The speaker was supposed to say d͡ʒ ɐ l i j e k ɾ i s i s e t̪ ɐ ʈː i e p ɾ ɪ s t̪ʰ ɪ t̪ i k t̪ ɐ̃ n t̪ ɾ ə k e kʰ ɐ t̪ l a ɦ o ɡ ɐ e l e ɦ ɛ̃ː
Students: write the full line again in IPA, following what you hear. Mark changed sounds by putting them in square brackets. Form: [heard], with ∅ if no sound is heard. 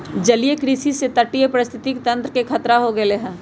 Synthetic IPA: d͡ʒ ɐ l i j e k ɾ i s i s e t̪ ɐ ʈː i e p ɾ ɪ s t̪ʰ ɪ t̪ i k t̪ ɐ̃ n t̪ ɾ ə k e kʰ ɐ t̪ [ɾ] a ɦ o ɡ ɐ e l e ɦ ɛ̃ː